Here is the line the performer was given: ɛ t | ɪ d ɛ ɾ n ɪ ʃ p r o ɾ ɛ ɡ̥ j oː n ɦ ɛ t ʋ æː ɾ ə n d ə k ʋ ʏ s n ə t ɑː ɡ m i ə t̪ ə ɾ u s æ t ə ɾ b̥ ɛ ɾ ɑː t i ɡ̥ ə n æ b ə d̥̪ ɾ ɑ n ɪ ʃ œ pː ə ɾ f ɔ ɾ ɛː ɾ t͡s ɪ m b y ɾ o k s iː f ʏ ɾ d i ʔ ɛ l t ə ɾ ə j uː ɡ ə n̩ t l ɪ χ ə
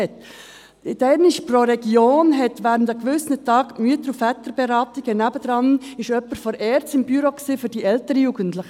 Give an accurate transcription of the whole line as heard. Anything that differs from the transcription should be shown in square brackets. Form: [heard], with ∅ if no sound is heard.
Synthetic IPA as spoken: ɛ t | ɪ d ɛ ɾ n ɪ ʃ p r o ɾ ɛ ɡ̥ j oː n ɦ ɛ t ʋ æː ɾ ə n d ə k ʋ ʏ s n ə t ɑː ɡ m [y] ə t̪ ə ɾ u [f] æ t ə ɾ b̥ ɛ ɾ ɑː t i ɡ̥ ə n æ b ə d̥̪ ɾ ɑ n ɪ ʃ œ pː ə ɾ f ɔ ɾ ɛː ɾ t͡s ɪ m b y ɾ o k s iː f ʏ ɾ d i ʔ ɛ l t ə ɾ ə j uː ɡ ə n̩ t l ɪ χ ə